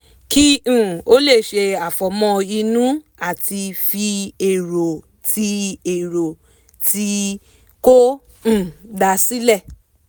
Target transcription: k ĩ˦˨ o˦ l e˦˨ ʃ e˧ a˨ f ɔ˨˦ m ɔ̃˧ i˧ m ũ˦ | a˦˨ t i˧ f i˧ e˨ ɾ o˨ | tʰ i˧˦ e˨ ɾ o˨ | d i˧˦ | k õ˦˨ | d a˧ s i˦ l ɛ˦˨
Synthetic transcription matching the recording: k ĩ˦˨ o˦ l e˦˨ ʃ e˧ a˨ f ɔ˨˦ m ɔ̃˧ i˧ n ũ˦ | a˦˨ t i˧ f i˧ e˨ ɾ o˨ | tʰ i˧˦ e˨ ɾ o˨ | t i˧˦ | k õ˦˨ | d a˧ s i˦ l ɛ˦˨